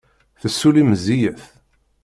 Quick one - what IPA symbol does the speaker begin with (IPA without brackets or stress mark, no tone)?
θ